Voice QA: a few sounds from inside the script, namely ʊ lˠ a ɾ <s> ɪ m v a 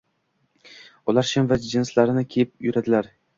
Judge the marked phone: incorrect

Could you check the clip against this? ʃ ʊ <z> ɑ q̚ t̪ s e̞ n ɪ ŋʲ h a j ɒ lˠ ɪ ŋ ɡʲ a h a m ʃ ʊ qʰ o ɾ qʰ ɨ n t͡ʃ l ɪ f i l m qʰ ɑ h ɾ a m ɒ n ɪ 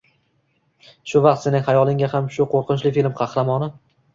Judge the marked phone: incorrect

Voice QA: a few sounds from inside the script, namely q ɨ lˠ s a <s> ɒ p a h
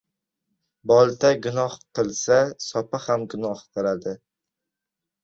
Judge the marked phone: correct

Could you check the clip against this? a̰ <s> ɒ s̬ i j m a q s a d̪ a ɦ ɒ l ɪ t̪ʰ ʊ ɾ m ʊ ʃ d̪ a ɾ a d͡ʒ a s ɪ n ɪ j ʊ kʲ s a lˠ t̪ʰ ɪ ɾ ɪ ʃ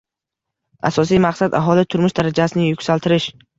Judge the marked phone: correct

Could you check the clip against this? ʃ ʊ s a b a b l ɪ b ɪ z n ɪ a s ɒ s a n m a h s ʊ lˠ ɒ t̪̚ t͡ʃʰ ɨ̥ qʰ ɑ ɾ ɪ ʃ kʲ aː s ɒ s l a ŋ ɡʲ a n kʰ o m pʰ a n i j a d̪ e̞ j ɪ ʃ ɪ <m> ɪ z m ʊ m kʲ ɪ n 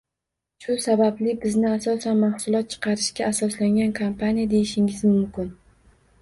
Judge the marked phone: incorrect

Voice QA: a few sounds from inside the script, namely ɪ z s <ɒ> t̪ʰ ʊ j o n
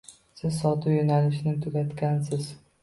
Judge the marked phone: correct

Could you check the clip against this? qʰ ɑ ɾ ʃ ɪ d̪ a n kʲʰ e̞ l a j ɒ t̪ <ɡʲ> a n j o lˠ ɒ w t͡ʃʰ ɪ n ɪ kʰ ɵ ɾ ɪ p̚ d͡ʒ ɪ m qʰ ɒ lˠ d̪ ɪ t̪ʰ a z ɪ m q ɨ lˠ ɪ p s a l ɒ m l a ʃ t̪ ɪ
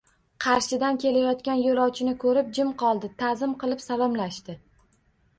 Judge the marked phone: incorrect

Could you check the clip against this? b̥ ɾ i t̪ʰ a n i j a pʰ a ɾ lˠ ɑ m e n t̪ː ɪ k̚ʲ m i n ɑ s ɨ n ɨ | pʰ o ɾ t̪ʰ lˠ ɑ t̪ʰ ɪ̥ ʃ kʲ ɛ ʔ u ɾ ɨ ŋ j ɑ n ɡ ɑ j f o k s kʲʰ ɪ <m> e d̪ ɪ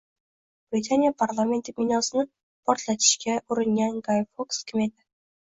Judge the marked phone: correct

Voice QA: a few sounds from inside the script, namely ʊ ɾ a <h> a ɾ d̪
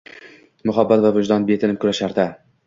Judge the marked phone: incorrect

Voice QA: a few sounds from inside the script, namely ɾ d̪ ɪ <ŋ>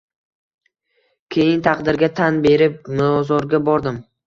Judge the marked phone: incorrect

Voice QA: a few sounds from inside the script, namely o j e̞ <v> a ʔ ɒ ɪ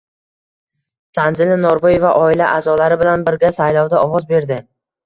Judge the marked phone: correct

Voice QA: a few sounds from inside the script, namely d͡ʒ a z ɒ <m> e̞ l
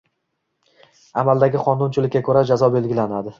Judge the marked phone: incorrect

